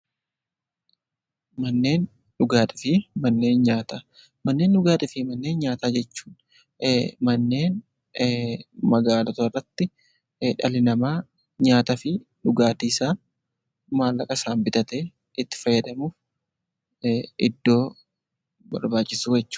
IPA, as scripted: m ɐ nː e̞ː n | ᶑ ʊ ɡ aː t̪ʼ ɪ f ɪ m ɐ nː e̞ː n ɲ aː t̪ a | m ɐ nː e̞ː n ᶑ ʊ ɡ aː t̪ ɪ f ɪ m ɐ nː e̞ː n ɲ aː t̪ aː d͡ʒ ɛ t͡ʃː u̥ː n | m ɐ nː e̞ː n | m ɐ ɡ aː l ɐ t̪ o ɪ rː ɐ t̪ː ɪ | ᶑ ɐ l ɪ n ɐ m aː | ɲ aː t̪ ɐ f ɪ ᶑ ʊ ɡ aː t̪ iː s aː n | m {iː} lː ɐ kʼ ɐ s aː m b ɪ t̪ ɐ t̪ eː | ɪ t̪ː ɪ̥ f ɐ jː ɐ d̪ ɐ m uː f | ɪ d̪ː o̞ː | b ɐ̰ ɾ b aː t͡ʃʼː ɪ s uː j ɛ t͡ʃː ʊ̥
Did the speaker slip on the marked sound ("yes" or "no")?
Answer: yes